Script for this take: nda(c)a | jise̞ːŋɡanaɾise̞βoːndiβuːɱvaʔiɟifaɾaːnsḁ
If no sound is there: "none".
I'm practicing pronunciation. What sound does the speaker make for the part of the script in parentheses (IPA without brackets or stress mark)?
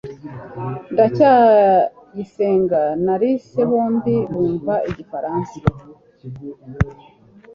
c